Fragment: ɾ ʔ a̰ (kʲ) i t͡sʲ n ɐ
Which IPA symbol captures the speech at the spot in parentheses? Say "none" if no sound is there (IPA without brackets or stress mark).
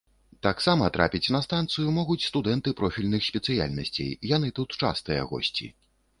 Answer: pʲ